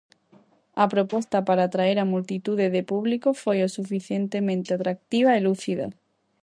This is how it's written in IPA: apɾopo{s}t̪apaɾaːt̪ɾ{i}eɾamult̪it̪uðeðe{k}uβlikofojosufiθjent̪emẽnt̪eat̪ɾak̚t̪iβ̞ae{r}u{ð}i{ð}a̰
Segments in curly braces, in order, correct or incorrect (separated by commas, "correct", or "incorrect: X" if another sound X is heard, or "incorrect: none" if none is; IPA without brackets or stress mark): correct, incorrect: a, incorrect: p, incorrect: l, incorrect: θ, correct